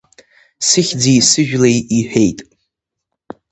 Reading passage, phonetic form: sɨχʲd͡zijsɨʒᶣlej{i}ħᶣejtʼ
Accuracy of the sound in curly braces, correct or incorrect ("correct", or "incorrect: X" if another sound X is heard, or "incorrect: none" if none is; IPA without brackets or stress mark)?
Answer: correct